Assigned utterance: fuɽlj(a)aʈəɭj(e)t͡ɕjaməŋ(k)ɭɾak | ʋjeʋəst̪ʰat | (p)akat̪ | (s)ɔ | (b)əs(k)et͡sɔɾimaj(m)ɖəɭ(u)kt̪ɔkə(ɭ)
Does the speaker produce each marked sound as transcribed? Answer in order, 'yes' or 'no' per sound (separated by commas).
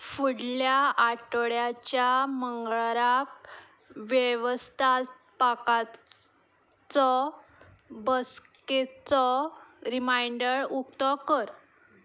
yes, no, no, yes, no, yes, yes, no, yes, no